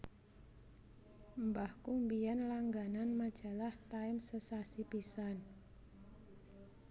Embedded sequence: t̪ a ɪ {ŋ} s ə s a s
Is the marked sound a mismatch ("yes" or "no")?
yes